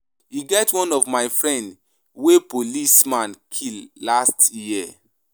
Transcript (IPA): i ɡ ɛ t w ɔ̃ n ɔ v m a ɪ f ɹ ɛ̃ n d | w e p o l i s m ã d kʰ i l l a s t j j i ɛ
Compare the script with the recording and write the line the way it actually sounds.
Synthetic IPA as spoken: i ɡ ɛ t w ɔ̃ n ɔ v m a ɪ f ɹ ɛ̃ n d | w e p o l i s m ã n kʰ i l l a s t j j i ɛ